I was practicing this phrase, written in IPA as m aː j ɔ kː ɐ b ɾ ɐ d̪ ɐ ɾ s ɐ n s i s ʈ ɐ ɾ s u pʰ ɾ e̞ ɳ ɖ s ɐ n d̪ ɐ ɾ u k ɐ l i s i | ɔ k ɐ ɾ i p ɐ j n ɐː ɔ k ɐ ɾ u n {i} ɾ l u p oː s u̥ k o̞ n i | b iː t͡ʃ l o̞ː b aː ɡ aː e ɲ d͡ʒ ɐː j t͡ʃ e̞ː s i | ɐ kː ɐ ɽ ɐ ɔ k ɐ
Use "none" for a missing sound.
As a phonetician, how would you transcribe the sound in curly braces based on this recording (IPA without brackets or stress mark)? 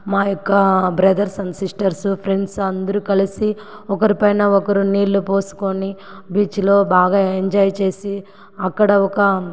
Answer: iː